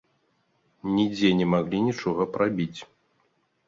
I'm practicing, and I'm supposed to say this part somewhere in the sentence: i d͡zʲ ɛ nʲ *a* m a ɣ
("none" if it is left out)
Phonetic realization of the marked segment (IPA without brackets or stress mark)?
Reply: ɛ